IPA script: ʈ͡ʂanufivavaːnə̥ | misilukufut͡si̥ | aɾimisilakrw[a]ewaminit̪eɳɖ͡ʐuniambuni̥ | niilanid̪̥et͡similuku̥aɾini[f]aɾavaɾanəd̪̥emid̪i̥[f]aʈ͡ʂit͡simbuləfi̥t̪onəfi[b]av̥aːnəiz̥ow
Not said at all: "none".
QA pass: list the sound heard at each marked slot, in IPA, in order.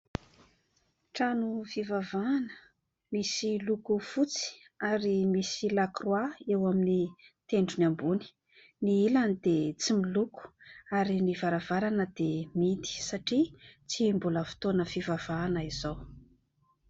a, v, s, v

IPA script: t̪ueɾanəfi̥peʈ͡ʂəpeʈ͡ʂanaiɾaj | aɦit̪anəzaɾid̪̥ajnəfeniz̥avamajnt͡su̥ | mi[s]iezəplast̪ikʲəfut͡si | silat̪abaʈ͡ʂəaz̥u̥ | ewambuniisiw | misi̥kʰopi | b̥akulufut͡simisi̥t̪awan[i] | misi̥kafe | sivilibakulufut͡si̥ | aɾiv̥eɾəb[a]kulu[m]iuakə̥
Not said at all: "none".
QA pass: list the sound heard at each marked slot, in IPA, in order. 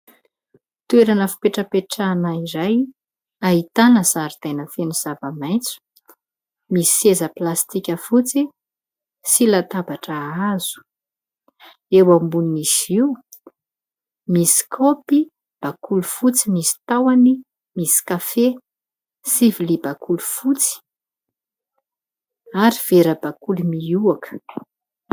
s, i, a, m

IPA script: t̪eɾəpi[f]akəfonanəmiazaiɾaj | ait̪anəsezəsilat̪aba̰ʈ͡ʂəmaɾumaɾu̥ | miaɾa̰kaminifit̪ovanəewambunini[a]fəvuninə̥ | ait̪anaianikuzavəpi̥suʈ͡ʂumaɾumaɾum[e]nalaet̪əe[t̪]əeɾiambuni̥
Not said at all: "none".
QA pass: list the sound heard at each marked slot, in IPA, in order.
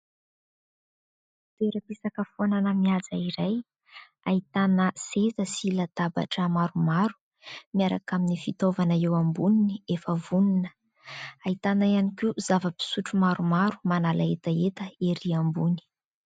s, e, a, t̪

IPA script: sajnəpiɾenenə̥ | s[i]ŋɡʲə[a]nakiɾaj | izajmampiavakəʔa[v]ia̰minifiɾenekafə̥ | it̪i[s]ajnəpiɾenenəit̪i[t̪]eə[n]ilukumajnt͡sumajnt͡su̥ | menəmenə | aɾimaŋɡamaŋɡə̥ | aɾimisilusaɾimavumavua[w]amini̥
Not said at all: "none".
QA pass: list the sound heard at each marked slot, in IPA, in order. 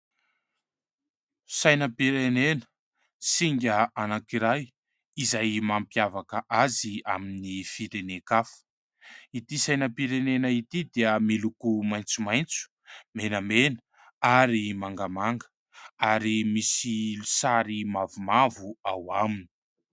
i, a, z, s, d̪, m, w

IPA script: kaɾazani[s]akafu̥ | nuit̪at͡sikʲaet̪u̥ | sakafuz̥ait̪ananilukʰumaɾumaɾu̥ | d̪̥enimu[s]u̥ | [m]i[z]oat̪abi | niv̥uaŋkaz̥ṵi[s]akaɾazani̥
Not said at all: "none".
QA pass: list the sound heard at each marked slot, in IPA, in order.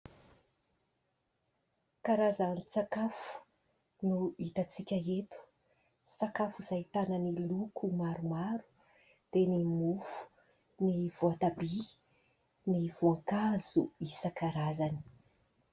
t͡s, f, n, v, s

